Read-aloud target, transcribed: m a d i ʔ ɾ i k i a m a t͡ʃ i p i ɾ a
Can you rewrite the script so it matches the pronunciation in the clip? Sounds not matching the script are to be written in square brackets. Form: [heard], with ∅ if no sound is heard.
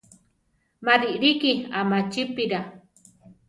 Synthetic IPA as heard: m a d i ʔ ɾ i k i a m a t͡ʃ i p i ɾ a